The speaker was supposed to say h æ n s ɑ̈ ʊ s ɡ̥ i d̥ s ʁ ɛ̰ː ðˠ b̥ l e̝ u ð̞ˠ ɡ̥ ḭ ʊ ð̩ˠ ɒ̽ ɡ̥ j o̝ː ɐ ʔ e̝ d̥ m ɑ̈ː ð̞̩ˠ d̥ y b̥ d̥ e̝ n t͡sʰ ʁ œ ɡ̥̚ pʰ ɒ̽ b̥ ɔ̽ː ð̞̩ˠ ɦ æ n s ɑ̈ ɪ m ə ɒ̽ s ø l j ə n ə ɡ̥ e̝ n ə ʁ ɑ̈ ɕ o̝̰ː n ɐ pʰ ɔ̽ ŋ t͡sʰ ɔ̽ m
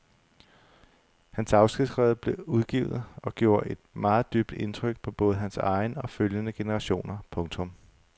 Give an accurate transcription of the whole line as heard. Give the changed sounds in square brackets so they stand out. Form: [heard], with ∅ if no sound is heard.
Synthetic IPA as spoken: h æ n s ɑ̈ ʊ s ɡ̥ i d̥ s ʁ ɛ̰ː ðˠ b̥ l e̝ u ð̞ˠ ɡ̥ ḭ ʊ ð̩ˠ ɒ̽ ɡ̥ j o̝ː ɐ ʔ e̝ d̥ m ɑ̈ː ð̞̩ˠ d̥ y b̥ d̥ e̝ n t͡sʰ ʁ œ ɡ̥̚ pʰ ɒ̽ b̥ ɔ̽ː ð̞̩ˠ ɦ æ n s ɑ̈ ɪ [n] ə ɒ̽ [f] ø l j ə n ə ɡ̥ e̝ n ə ʁ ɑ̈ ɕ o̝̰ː n ɐ pʰ ɔ̽ ŋ t͡sʰ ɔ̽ m